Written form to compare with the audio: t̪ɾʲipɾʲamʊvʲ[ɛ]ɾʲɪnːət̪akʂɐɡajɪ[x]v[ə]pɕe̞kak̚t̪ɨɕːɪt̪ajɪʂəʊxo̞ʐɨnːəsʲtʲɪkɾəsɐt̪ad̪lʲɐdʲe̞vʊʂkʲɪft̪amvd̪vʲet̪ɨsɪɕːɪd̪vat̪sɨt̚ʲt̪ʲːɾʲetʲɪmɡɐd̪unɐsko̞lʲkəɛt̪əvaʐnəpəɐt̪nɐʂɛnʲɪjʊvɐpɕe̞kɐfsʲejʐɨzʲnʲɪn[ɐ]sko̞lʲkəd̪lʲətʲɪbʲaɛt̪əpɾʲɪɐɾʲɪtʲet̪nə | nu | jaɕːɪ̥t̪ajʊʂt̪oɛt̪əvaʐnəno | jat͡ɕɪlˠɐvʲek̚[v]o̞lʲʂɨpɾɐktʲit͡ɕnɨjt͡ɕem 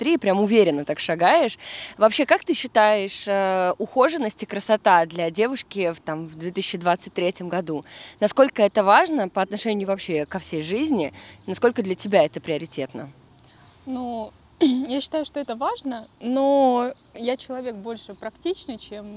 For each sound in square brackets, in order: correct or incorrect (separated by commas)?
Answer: incorrect, incorrect, incorrect, correct, incorrect